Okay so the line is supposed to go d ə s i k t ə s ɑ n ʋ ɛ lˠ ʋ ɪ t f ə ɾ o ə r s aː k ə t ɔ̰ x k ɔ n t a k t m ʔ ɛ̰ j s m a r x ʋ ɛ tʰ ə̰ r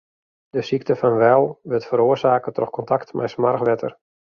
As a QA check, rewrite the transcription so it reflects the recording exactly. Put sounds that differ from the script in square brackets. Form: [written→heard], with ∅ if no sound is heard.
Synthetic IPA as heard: d ə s i k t ə [s→f] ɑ n ʋ ɛ lˠ ʋ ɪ t f ə ɾ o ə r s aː k ə t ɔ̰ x k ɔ n t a k t m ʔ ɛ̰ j s m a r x ʋ ɛ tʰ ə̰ r

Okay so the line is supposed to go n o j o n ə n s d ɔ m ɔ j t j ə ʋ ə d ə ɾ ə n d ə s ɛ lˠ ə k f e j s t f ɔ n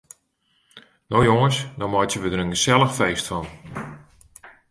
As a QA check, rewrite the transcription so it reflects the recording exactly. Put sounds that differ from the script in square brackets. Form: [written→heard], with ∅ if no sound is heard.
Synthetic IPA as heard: n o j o [n→ŋ] ə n s d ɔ m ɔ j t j ə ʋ ə d ə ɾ ə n [d→ɡ] ə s ɛ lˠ ə [k→x] f e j s t f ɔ n

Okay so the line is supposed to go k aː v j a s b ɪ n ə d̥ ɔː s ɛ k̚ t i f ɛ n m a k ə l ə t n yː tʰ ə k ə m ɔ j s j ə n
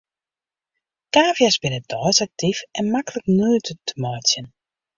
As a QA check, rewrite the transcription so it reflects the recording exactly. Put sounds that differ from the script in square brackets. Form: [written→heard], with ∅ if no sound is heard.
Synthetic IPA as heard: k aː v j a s b ɪ n ə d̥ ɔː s [ɛ→a] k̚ t i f ɛ n m a k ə l ə [t→k] n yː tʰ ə [k→t] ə m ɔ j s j ə n

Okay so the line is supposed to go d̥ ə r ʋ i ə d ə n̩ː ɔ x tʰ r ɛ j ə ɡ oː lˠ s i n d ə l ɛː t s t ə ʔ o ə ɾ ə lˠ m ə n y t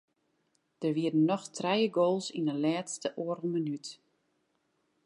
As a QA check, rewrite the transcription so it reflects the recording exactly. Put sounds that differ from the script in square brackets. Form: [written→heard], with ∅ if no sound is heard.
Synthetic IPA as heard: d̥ ə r ʋ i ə d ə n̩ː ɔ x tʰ r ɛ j ə ɡ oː lˠ s i n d ə l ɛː t s t ə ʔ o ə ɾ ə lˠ m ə n y t

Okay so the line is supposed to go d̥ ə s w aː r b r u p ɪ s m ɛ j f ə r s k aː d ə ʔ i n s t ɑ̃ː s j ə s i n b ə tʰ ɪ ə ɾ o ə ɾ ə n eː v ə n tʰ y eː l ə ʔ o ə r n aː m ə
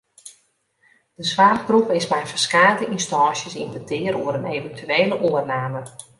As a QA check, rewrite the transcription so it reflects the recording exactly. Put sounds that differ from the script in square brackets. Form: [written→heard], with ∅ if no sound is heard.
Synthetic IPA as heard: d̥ ə s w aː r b r u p ɪ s m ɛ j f ə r s k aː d ə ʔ i n s t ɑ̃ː s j ə s i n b ə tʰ ɪ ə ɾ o ə ɾ ə n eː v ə n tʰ y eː l ə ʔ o ə r n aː m ə

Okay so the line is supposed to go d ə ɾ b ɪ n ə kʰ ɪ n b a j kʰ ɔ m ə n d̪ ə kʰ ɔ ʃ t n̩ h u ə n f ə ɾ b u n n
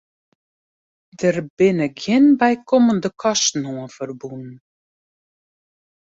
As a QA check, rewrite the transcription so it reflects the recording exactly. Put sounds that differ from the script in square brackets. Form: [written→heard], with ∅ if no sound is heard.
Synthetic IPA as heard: d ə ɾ b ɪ n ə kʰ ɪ n b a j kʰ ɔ m ə n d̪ ə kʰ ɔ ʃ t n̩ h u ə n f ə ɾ b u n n

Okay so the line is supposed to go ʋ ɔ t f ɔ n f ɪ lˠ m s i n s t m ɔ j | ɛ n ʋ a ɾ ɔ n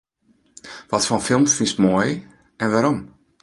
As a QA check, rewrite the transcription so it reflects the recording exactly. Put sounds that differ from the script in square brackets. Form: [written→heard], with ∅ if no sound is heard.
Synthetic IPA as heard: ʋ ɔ t f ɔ n f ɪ lˠ m [s→f] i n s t m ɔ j | ɛ n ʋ a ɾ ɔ [n→m]

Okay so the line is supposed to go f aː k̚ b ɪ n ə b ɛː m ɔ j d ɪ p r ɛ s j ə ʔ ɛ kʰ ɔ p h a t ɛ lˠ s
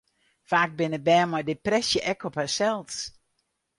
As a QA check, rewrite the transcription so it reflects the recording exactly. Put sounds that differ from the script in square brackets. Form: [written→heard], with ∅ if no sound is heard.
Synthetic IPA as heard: f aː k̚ b ɪ n ə b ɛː m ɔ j d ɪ p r ɛ s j ə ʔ ɛ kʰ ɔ p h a [t→s] ɛ lˠ s

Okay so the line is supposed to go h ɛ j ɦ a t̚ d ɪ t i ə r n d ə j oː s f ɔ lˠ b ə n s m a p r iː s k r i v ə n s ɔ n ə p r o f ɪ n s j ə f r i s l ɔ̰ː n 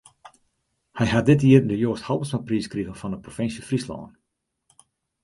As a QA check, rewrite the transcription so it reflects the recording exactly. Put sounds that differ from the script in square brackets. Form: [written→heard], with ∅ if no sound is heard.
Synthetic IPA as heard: h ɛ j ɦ a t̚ d ɪ t i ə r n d ə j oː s [f→h] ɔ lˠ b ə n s m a p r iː s k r i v ə n [s→f] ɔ n ə p r o f ɪ n s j ə f r i s l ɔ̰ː n

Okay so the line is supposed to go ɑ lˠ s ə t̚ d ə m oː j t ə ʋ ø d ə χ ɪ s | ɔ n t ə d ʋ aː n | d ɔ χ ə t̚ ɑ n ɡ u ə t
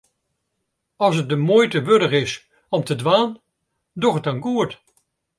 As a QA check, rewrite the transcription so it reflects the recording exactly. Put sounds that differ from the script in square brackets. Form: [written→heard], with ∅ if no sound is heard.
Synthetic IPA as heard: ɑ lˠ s ə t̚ d ə m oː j t ə ʋ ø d ə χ ɪ s | ɔ [n→m] t ə d ʋ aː n | d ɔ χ ə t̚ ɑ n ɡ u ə t

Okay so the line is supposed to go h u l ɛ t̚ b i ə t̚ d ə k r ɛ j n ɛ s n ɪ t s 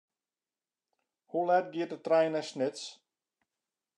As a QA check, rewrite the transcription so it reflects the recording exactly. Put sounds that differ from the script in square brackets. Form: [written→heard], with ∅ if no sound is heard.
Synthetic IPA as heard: h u l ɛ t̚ [b→ɡ] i ə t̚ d ə [k→t] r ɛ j n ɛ s n ɪ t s

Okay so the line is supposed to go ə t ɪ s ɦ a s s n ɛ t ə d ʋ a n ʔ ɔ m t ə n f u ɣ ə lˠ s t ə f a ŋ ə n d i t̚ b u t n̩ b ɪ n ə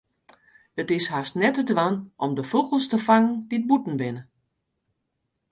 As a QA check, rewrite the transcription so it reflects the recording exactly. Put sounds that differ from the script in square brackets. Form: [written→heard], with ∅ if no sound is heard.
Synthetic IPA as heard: ə t ɪ s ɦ a s [s→t] n ɛ t ə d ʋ a n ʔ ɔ m [t→d] ə [n→∅] f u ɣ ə lˠ s t ə f a ŋ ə n d i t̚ b u t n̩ b ɪ n ə

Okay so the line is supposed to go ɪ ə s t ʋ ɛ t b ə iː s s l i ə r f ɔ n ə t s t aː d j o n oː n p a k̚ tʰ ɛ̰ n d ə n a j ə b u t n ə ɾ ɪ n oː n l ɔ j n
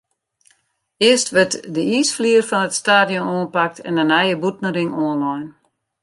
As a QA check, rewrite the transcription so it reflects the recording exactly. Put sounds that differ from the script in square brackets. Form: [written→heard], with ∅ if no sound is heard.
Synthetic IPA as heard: ɪ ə s t ʋ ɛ t [b→d] ə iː s [s→f] l i ə r f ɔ n ə t s t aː d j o n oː n p a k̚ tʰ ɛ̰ n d ə n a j ə b u t n ə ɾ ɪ [n→ŋ] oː n l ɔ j n

